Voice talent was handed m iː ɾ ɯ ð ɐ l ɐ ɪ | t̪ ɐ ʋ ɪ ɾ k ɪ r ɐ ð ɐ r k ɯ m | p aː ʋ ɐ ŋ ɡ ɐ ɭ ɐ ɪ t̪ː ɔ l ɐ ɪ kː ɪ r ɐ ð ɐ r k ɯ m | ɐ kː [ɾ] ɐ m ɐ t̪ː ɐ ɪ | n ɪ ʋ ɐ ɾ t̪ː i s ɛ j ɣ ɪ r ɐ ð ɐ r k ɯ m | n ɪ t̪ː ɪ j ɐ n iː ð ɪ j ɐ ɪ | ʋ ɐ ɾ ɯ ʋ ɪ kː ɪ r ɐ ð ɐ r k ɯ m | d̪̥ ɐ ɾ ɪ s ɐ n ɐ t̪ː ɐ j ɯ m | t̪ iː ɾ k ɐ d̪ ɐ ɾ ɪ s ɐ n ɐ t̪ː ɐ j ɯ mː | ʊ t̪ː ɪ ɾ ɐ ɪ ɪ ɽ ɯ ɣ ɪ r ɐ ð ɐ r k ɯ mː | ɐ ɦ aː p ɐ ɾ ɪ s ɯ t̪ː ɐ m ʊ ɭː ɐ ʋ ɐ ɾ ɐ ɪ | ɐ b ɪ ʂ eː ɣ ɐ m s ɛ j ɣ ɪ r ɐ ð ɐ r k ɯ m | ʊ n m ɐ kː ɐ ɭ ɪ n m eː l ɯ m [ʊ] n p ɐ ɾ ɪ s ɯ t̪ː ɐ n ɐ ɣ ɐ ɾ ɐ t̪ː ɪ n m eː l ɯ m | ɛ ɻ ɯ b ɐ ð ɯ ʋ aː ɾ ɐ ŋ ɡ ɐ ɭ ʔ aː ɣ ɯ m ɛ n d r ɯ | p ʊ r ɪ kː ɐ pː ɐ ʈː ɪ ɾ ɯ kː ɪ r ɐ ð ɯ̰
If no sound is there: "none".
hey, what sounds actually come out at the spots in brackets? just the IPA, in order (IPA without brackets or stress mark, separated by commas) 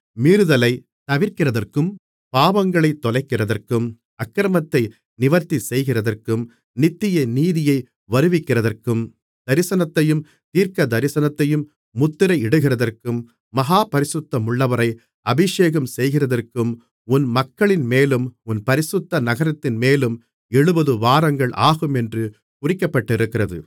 ɾ, ʊ